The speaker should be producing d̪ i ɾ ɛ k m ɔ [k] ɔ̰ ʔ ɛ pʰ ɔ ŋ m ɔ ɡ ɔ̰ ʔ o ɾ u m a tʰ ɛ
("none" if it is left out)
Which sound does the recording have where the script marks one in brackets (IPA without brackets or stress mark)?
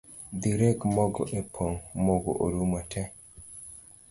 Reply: ɡ